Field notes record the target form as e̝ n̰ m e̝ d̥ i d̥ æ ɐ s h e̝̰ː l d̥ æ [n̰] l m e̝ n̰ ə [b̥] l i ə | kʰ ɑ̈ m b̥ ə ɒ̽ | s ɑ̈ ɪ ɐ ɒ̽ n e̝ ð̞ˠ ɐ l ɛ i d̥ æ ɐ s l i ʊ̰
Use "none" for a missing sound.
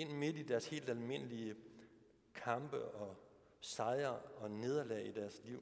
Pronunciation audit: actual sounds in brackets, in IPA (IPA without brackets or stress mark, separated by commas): none, none